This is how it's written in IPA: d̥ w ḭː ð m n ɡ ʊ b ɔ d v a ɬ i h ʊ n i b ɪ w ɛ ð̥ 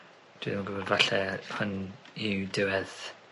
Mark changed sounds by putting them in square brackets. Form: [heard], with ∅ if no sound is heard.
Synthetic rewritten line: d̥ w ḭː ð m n ɡ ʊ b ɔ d v a ɬ [ɛ] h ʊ n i [d] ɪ w ɛ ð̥

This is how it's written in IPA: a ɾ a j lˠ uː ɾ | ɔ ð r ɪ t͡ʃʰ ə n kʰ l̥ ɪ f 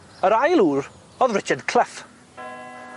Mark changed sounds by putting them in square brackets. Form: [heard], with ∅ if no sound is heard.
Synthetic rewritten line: [ə] ɾ a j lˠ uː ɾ | ɔ ð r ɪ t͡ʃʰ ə [d] kʰ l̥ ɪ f

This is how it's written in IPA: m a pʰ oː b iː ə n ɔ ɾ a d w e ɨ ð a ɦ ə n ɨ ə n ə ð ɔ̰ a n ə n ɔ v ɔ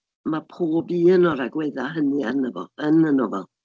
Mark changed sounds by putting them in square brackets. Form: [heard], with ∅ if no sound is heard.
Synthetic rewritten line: m a pʰ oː b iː ə n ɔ ɾ a [ɡ] w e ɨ ð a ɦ ə n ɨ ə n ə [v] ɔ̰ [ə] n ə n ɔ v ɔ

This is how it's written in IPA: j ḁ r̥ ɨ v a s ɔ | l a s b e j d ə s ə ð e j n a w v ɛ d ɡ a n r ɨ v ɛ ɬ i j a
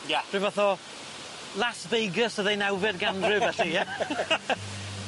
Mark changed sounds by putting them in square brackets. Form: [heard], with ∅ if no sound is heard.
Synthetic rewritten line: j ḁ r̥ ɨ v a [θ] ɔ | l a s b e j [ɡ] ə s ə ð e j n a w v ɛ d ɡ a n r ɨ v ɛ ɬ i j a

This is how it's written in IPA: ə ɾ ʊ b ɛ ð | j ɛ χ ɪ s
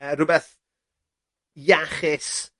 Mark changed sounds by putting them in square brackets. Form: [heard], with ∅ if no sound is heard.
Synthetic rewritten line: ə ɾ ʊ b ɛ [θ] | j [a] χ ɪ s

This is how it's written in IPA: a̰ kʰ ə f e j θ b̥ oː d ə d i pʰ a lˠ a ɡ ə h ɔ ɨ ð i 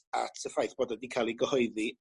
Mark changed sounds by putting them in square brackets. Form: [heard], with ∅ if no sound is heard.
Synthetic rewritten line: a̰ [tʰ] ə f [a] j θ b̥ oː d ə d i [kʰ] a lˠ [i] ɡ ə h ɔ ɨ ð i

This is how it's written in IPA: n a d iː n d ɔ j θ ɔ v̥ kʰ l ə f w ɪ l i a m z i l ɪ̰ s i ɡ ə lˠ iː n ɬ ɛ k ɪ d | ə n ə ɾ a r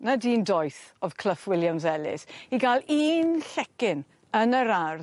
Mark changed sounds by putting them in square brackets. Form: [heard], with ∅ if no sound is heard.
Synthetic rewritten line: n a d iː n d ɔ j θ ɔ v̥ kʰ l ə f w ɪ l [j] a m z [ɛ] l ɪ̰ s i ɡ [a] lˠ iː n ɬ ɛ k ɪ [n] | ə n ə ɾ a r

